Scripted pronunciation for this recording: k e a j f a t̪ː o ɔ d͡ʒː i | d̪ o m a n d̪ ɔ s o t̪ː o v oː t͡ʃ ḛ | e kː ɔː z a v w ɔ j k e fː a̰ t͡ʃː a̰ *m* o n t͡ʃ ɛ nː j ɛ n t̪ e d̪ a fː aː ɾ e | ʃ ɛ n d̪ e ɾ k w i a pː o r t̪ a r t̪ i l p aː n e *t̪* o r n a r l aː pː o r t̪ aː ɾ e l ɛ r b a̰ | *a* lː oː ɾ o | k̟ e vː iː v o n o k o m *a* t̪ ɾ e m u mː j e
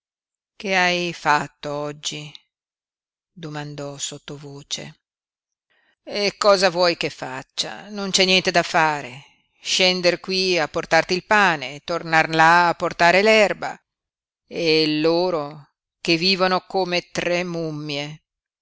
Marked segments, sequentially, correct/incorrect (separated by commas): incorrect, correct, incorrect, incorrect